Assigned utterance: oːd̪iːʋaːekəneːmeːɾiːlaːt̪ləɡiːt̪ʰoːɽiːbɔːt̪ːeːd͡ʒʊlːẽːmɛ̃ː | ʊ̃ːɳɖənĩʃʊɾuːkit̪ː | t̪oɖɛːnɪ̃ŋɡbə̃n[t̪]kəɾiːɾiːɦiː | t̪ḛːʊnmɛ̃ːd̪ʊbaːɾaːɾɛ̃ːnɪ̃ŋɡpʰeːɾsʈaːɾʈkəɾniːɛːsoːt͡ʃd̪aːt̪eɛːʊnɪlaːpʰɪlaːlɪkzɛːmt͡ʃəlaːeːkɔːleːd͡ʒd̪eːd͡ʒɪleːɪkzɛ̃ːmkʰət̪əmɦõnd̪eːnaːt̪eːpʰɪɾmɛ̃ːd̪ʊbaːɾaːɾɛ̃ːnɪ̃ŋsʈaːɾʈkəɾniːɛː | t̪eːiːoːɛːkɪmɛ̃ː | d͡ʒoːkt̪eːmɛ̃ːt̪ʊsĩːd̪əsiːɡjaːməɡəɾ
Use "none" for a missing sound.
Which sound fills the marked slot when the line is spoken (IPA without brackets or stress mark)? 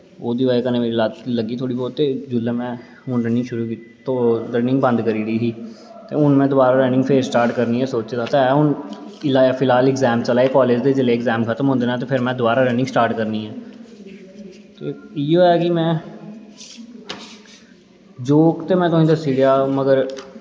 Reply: d̪